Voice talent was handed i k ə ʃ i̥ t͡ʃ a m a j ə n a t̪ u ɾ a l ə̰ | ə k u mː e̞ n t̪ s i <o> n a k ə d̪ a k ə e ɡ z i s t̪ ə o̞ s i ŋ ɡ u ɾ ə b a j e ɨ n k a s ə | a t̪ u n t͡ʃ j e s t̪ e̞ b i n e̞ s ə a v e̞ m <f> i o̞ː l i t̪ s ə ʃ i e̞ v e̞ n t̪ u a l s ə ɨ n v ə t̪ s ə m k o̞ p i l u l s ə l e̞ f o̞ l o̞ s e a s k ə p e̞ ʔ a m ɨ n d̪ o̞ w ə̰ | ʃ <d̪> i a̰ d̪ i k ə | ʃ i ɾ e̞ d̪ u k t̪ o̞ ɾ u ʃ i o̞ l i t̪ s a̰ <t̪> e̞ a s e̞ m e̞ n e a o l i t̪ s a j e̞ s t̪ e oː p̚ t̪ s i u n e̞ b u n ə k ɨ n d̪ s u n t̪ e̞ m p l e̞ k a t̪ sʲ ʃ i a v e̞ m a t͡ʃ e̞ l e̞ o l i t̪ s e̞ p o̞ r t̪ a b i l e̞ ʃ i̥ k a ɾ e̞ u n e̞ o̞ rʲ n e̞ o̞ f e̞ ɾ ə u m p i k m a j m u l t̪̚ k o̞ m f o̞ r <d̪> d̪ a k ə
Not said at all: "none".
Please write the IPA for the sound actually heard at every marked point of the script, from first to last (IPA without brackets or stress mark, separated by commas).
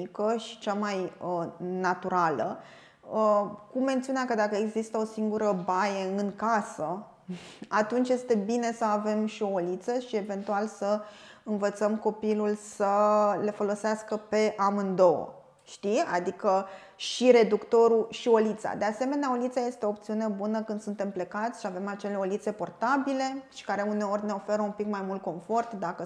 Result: u, ʃ, t̪, d̪, t̪